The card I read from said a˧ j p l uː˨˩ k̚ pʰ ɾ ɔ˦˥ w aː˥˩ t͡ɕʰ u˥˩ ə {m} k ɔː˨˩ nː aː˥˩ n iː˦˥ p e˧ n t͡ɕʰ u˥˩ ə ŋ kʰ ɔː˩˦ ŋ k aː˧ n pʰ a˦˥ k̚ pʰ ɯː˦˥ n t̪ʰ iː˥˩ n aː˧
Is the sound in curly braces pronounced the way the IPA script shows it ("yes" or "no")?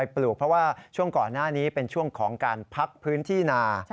no